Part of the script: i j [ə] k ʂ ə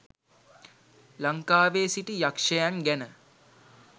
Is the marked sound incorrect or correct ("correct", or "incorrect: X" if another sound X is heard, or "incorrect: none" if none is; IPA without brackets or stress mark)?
incorrect: a